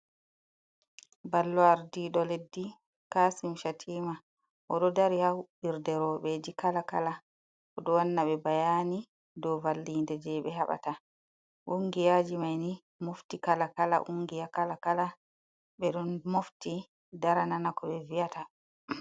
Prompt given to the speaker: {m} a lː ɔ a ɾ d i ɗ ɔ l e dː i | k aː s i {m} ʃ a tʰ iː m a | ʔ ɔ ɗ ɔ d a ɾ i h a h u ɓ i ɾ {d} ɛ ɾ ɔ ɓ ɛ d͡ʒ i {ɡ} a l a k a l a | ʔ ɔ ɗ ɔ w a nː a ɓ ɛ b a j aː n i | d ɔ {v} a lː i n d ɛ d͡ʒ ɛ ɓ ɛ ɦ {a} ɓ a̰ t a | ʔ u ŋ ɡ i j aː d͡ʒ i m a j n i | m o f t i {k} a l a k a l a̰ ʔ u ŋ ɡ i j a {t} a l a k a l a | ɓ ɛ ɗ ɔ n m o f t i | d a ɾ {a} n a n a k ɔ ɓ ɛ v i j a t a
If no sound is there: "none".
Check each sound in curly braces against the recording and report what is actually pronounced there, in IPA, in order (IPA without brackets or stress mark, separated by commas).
b, m, d, k, v, a, k, k, a